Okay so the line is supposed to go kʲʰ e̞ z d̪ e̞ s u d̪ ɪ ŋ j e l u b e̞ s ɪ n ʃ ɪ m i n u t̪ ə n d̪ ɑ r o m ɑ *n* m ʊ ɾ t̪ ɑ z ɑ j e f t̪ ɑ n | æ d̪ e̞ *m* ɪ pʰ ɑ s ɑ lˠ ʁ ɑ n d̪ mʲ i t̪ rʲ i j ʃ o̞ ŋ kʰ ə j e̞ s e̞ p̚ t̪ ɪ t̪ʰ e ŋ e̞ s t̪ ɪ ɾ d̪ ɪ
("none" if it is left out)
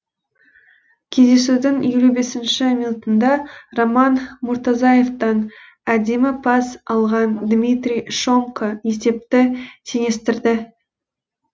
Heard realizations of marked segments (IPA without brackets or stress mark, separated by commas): n, m